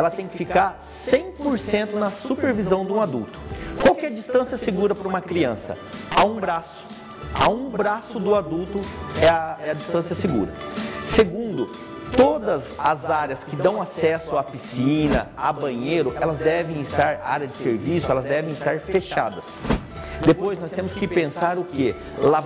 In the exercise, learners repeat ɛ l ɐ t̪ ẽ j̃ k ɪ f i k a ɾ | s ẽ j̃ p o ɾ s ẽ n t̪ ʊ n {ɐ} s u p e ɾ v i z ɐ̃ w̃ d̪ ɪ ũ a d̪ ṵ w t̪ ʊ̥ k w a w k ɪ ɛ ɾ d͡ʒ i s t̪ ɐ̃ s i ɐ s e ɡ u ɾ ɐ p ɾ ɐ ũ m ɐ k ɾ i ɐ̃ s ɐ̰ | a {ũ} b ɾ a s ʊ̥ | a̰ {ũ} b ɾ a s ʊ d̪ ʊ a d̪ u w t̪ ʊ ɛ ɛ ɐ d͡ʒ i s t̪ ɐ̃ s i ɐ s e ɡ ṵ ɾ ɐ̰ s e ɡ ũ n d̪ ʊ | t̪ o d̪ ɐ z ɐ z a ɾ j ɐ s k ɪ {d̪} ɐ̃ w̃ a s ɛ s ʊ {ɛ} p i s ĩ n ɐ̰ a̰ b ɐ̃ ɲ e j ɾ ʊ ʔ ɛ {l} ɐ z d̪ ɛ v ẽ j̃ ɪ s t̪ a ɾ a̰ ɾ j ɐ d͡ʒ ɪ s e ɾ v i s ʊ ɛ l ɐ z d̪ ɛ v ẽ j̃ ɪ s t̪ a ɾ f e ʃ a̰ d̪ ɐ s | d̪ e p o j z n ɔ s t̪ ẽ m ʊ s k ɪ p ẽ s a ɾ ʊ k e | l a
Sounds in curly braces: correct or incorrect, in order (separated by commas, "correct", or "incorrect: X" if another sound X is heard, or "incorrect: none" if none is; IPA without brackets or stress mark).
correct, correct, correct, correct, incorrect: a, correct